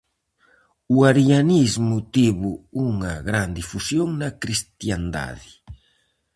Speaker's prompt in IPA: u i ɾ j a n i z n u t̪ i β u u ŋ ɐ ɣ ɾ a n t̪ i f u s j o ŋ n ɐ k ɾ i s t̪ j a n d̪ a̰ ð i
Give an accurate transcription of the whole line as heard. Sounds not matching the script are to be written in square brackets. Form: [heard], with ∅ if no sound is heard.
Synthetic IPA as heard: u [a] ɾ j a n i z [m] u t̪ i β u u ŋ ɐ ɣ ɾ a n [d̪] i f u s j o ŋ n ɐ k ɾ i s t̪ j a n d̪ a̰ ð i